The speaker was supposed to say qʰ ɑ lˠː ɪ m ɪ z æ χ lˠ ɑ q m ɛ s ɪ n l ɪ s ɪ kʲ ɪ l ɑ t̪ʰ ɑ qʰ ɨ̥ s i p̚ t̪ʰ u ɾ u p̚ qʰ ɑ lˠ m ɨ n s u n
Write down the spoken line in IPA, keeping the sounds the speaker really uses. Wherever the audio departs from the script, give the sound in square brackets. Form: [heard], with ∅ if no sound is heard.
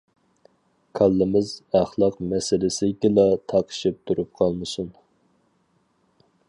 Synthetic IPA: [kʰ] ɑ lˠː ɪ m ɪ z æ χ lˠ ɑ q m ɛ s ɪ [∅] l ɪ s ɪ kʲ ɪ l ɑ t̪ʰ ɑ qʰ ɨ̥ [ʃ] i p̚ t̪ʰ u ɾ u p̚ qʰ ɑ lˠ m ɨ [∅] s u n